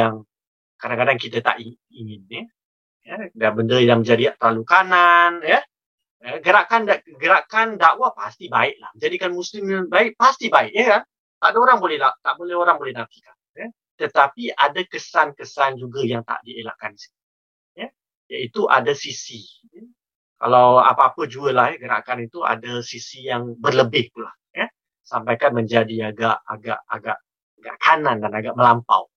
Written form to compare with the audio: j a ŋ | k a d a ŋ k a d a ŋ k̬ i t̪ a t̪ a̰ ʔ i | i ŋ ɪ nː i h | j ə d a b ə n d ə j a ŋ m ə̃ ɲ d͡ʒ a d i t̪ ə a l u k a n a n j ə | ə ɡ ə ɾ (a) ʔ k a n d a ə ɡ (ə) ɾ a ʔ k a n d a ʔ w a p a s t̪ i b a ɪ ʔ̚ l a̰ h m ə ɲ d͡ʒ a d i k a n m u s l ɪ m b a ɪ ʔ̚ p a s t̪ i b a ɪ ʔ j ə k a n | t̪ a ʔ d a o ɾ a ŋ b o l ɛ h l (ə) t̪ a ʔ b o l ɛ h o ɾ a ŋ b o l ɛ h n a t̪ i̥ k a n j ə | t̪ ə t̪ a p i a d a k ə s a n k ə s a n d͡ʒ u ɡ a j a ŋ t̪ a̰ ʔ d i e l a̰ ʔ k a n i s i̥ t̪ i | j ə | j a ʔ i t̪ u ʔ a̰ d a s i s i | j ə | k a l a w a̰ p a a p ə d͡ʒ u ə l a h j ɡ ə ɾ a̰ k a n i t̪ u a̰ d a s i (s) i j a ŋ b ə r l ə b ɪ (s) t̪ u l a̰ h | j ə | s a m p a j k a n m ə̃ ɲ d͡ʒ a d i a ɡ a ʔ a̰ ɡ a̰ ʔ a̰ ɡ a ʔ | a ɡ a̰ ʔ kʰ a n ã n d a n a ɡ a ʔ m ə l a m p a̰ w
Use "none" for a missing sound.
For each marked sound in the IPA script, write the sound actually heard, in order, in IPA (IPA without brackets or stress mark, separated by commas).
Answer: a, ə, a, s, h